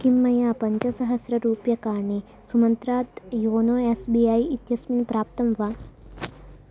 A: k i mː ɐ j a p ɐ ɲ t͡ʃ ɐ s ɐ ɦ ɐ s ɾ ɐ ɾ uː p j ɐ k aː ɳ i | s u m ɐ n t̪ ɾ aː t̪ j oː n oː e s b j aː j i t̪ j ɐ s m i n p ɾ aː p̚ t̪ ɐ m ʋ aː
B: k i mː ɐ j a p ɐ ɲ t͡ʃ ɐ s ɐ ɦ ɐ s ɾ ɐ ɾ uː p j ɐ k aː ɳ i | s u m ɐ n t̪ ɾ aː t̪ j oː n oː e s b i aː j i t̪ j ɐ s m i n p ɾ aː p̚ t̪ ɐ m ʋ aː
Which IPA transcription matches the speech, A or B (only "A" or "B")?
B